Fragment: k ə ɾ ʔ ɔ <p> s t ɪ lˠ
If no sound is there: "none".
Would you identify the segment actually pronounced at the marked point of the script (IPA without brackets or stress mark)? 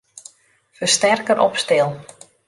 p